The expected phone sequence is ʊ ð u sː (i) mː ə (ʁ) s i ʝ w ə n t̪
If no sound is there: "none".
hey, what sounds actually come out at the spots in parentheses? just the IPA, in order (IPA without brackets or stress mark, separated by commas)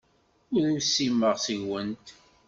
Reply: i, ʁ